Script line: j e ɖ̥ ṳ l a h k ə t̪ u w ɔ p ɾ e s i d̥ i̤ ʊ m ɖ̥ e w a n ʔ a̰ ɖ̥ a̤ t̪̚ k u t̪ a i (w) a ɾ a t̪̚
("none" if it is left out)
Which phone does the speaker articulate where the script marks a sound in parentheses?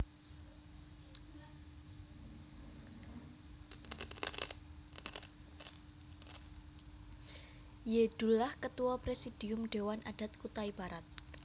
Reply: b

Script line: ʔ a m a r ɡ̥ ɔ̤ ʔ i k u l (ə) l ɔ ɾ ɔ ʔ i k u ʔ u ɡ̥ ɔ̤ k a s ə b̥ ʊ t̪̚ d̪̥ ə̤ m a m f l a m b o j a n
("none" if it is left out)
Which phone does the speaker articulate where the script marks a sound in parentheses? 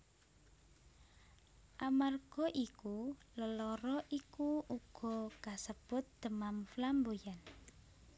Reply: ə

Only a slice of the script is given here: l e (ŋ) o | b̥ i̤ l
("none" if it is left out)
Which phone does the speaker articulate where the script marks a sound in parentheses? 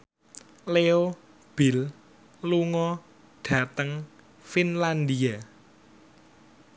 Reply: none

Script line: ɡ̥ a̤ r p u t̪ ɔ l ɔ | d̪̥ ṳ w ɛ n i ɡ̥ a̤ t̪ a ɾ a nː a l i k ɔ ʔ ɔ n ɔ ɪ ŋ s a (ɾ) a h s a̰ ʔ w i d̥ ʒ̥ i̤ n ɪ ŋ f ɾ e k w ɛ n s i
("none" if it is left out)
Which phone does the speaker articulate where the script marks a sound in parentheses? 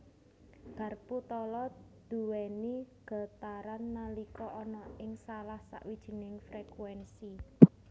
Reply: l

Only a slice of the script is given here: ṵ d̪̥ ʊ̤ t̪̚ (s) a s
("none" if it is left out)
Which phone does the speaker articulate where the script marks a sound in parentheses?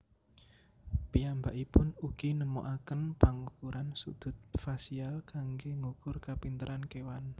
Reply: f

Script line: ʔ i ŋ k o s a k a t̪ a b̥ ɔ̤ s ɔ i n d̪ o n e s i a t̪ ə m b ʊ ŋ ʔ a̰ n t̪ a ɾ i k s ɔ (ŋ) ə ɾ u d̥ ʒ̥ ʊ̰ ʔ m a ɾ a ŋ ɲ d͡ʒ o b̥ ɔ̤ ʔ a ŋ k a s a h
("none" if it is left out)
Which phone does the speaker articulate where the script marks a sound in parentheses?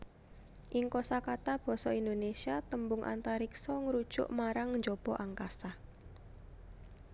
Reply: ŋ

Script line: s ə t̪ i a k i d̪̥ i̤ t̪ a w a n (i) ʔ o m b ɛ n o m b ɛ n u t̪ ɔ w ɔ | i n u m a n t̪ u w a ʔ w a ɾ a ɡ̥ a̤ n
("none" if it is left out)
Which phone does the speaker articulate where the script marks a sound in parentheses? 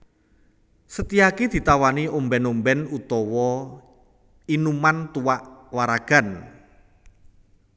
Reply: i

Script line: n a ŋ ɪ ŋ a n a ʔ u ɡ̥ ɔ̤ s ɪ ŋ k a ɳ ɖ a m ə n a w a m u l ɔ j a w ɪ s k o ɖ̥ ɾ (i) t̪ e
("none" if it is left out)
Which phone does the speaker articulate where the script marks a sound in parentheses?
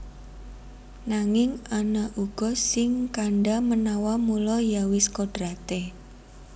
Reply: a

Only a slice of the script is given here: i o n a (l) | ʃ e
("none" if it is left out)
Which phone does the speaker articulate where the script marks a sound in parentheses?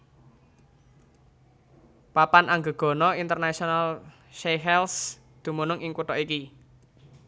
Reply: l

